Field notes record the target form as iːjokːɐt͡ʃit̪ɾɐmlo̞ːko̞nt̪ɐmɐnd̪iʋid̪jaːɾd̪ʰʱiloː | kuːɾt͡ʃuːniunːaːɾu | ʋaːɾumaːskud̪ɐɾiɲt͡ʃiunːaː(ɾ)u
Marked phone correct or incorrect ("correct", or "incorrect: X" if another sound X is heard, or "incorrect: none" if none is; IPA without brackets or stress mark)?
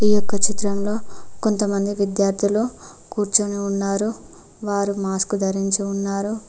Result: correct